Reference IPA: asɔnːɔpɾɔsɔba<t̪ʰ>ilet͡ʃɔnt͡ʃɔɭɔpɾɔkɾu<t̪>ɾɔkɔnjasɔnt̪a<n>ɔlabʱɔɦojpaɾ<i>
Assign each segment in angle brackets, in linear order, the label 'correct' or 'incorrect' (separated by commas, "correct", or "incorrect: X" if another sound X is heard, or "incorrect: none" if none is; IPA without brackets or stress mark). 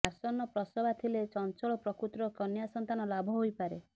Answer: correct, correct, correct, incorrect: e